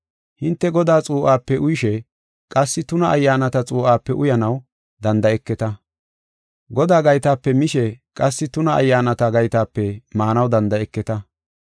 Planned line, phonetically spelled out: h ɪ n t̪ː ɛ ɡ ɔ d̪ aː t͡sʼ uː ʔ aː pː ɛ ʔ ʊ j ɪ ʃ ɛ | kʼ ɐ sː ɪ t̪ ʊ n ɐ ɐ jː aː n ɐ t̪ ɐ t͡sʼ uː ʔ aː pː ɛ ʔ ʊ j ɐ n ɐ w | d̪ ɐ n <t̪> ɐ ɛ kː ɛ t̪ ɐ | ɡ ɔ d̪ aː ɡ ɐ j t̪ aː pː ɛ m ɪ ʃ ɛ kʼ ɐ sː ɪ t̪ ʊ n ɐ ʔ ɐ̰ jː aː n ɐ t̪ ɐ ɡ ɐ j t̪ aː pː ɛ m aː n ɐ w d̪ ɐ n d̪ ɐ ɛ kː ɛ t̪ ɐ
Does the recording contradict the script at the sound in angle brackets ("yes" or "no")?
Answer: yes